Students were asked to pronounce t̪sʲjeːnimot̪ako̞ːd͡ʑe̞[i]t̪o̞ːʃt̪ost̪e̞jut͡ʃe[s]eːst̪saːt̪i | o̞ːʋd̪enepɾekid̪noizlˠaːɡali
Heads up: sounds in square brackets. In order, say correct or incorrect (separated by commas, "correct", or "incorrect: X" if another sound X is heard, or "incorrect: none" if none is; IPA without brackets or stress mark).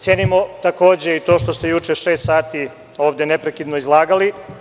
correct, incorrect: ʃ